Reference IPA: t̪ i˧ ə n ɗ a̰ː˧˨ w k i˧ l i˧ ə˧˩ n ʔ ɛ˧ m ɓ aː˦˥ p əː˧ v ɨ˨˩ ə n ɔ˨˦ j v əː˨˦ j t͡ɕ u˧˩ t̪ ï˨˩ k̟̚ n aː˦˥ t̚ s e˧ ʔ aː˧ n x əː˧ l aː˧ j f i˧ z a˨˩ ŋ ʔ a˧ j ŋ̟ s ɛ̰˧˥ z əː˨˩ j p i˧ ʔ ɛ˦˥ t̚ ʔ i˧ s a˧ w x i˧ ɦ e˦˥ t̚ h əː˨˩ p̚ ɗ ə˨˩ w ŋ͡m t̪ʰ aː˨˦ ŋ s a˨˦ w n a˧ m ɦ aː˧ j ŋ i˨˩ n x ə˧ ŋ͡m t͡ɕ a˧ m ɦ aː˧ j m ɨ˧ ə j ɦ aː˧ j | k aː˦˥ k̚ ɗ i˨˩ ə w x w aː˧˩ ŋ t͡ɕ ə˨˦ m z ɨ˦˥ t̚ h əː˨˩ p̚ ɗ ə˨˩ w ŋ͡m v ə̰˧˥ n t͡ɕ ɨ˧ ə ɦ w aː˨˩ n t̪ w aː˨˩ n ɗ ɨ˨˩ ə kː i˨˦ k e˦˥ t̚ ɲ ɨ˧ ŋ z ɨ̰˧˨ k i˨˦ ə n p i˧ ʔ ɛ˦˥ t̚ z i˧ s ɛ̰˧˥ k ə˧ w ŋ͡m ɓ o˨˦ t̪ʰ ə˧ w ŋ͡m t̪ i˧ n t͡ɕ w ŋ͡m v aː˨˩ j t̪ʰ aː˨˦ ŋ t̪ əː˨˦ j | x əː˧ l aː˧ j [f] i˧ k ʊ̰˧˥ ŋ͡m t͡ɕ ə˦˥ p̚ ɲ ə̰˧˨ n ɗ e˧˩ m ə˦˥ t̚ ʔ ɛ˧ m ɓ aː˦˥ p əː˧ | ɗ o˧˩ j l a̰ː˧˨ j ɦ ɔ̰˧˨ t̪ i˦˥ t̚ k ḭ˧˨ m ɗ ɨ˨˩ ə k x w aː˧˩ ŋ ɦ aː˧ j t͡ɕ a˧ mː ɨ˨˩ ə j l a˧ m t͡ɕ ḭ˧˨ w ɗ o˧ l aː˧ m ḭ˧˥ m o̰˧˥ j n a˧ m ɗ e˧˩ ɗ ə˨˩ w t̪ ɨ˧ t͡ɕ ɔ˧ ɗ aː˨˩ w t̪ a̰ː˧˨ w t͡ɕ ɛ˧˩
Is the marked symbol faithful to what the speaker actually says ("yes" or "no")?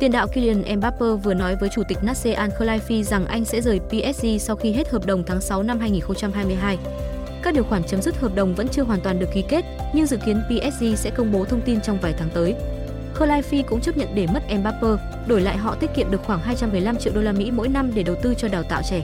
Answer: yes